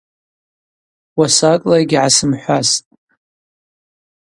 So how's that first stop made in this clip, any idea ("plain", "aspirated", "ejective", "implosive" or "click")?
ejective